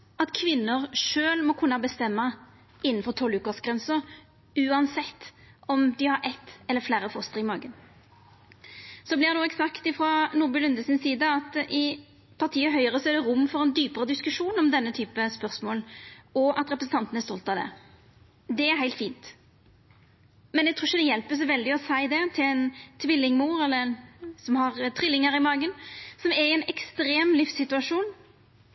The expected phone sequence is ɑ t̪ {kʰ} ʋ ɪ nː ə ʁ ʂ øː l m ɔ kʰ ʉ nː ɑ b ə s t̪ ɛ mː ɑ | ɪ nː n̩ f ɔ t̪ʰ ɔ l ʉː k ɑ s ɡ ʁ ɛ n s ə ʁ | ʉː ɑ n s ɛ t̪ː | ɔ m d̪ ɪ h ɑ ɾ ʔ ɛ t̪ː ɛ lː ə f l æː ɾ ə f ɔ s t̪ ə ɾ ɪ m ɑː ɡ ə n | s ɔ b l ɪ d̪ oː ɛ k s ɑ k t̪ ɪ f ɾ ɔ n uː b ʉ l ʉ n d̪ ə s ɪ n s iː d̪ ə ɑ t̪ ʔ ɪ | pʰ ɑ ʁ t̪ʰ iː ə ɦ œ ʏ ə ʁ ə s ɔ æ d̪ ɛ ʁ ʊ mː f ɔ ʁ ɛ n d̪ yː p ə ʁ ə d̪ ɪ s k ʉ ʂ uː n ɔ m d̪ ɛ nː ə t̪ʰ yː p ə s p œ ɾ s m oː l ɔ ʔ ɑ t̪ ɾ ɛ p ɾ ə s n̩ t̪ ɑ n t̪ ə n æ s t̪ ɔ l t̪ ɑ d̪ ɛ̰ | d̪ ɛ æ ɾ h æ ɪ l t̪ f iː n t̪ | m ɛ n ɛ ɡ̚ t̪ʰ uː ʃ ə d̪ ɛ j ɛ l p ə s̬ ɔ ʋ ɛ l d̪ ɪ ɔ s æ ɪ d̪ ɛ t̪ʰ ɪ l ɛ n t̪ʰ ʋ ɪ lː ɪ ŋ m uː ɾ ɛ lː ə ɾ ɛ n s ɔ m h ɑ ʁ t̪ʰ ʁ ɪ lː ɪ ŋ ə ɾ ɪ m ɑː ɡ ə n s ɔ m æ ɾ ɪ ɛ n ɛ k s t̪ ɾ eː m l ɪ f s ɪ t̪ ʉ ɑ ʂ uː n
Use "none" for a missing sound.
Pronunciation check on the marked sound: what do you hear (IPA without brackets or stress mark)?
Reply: kʰ